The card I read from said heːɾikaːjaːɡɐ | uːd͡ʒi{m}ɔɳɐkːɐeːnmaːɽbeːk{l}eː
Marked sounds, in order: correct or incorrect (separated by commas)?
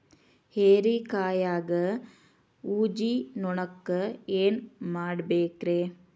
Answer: incorrect, incorrect